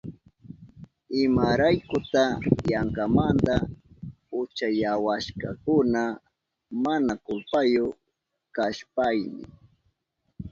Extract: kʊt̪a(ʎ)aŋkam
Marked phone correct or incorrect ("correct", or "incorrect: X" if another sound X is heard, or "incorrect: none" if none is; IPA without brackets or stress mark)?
incorrect: j